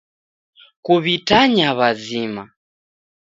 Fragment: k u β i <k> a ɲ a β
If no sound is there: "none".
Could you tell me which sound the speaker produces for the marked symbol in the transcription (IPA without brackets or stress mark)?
t